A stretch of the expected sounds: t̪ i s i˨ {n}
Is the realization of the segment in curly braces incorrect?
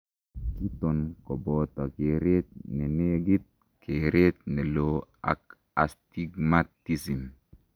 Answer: yes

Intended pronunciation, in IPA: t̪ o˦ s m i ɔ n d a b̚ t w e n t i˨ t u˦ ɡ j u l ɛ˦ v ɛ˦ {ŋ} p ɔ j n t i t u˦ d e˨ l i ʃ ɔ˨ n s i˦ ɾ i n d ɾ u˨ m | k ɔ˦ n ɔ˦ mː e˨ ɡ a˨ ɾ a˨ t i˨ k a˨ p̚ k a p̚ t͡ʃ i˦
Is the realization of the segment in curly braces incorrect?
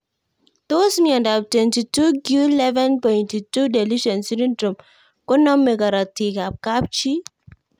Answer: yes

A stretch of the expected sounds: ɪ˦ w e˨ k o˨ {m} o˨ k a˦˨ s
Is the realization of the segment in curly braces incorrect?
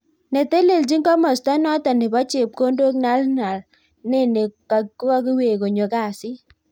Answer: yes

